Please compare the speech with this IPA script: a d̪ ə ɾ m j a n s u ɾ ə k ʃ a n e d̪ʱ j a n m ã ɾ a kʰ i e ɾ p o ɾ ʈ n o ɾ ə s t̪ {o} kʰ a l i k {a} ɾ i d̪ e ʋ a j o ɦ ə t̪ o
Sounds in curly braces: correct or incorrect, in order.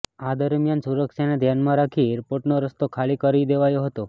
correct, incorrect: ə

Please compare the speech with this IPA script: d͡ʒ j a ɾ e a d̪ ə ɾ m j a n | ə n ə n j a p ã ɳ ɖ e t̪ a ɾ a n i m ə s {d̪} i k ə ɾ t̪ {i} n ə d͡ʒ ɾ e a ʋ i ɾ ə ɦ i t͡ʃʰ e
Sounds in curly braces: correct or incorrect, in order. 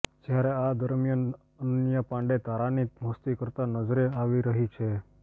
incorrect: t̪, incorrect: a

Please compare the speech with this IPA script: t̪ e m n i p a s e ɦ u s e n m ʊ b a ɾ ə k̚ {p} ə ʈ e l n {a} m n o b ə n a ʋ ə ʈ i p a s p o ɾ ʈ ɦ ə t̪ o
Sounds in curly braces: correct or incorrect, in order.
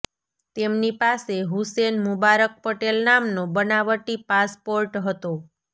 correct, correct

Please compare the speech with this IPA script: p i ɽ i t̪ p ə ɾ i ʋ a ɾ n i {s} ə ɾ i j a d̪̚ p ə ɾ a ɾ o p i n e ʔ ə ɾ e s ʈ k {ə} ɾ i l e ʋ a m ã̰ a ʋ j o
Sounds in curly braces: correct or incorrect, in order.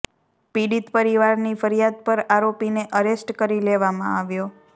incorrect: f, correct

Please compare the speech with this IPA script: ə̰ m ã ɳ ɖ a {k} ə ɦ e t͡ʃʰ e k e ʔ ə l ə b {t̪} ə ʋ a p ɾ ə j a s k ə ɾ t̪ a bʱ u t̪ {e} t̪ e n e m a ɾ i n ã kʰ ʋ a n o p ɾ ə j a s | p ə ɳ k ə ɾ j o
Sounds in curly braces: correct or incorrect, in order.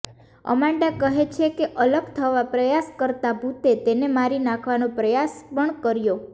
correct, incorrect: t̪ʰ, correct

